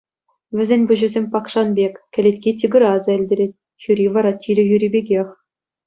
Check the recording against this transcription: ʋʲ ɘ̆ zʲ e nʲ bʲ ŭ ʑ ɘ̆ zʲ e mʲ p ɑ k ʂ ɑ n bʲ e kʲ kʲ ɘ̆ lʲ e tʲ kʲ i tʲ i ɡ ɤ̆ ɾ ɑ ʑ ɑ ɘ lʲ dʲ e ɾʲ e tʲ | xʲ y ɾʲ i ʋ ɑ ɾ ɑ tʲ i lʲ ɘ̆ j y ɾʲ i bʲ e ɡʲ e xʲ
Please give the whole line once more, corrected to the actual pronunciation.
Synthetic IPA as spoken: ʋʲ ɘ̆ zʲ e nʲ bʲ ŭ ʑ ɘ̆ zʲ e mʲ p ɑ k ʂ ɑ n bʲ e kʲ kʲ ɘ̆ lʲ e tʲ kʲ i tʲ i ɡ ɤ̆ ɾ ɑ z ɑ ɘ lʲ dʲ e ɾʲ e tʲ | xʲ y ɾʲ i ʋ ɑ ɾ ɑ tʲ i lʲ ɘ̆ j y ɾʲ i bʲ e ɡʲ e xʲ

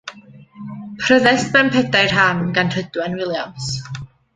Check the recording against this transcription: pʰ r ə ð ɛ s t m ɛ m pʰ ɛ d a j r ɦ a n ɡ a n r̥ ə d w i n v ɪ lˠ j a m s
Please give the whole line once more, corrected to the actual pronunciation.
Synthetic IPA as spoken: pʰ r ə ð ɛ s t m ɛ m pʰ ɛ d a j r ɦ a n ɡ a n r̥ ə d w ɛ n w ɪ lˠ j a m s

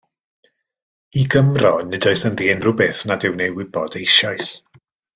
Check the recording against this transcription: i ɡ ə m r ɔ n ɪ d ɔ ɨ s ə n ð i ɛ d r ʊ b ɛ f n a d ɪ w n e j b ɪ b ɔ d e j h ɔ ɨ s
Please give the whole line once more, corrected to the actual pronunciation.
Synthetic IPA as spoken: i ɡ ə m r ɔ n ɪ d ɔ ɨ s ə n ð i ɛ n r ʊ b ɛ θ n a d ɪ w n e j w ɪ b ɔ d e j ʃ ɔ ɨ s

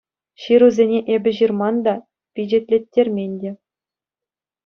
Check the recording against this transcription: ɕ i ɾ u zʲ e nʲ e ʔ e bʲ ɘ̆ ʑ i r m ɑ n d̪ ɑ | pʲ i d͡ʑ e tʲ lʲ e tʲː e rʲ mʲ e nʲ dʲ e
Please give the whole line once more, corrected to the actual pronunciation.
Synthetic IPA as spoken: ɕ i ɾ u zʲ e nʲ e ʔ e bʲ ɘ̆ ʑ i r m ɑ n d̪ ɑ | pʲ i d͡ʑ e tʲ lʲ e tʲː e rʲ mʲ e nʲ dʲ e

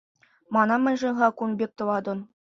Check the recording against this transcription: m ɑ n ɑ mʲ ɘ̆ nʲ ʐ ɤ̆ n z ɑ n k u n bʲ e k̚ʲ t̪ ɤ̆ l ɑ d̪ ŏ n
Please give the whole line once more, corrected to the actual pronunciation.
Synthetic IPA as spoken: m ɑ n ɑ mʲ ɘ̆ nʲ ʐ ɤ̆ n ʁ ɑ k u n bʲ e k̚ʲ t̪ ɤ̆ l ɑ d̪ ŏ n

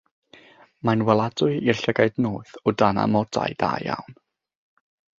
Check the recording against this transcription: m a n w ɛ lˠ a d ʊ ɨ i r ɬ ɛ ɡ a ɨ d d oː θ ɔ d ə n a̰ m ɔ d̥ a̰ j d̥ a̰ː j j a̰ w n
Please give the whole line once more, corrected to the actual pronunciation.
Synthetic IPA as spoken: m a n w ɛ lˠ a d ʊ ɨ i r ɬ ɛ ɡ a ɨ d n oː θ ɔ d a n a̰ m ɔ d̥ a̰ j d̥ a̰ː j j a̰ w n

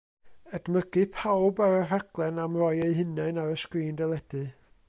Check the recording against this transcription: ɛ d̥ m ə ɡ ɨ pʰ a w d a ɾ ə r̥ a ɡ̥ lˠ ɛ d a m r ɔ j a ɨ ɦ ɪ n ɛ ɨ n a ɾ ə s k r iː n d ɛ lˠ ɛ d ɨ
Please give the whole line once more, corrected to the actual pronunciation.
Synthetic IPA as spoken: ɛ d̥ m ə ɡ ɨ pʰ a w b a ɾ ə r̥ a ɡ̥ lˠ ɛ n a m r ɔ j e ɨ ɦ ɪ n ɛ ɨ n a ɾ ə s k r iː n d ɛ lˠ ɛ d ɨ

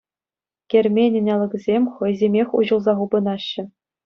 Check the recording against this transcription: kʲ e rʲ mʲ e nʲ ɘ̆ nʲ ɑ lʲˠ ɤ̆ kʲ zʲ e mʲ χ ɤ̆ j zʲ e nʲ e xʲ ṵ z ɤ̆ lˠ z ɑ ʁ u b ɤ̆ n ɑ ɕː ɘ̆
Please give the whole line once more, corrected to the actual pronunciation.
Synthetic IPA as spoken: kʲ e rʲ mʲ e nʲ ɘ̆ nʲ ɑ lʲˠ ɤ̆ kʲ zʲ e mʲ χ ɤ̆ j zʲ e mʲ e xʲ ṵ ʑ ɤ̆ lˠ z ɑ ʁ u b ɤ̆ n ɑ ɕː ɘ̆

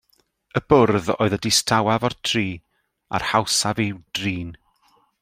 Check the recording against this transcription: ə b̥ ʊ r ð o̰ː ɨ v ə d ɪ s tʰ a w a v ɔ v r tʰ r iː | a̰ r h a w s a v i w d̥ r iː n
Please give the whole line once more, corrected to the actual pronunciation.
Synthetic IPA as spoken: ə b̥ ʊ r ð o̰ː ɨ ð ə d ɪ s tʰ a w a v ɔ r tʰ r iː | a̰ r h a w s a v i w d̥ r iː n

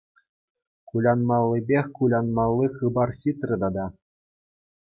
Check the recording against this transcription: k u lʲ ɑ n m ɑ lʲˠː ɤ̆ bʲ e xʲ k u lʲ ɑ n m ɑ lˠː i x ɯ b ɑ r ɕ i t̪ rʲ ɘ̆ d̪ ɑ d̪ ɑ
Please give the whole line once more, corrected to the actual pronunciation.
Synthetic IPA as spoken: k u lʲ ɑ n m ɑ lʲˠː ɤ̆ bʲ e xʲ k u lʲ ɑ n m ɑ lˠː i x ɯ b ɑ r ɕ i t̪ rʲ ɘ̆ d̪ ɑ d̪ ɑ

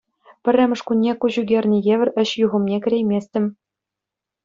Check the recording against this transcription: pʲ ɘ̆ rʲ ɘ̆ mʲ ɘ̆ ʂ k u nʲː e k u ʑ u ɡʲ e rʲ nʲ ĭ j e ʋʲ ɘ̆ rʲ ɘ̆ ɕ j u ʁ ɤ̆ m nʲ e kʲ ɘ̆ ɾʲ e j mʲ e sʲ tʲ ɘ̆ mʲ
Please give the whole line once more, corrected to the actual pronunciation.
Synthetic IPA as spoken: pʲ ɘ̆ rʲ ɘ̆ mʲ ɘ̆ ʂ k u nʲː e k u ʑ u ɡʲ e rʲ nʲ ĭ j e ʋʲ ɘ̆ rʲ ɘ̆ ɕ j u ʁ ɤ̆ m nʲ e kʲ ɘ̆ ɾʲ e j mʲ e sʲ tʲ ɘ̆ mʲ

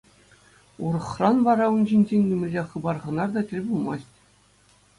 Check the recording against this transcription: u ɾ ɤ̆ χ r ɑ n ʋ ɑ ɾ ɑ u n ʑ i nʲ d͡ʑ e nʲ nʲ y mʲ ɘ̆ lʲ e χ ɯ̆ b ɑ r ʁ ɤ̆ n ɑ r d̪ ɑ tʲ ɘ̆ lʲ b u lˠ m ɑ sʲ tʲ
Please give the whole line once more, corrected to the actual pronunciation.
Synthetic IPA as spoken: u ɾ ɤ̆ χ r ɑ n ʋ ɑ ɾ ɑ u n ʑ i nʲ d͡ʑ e nʲ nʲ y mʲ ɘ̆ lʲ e χ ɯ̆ b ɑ r ʁ ɤ̆ n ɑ r d̪ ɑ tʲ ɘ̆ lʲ b u lˠ m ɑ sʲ tʲ

